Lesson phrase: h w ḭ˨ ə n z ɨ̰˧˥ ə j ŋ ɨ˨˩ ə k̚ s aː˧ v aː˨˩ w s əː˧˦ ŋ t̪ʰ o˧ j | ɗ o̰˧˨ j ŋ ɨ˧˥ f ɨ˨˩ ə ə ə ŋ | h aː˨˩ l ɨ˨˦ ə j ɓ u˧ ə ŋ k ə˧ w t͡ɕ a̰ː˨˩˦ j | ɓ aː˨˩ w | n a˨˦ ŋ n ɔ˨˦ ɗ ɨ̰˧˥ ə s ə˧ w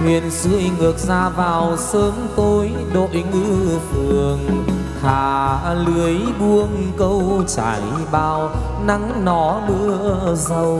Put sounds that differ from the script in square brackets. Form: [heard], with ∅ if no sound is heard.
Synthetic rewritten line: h w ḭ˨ ə n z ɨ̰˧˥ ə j ŋ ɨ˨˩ ə k̚ [z] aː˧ v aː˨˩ w s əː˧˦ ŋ [t̪] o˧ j | ɗ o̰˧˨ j ŋ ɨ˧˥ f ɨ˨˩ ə ə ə ŋ | h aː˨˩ l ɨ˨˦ ə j ɓ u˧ ə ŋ k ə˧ w t͡ɕ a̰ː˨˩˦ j | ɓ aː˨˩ w | n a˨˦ ŋ n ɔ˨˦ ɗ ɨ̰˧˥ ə [z] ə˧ w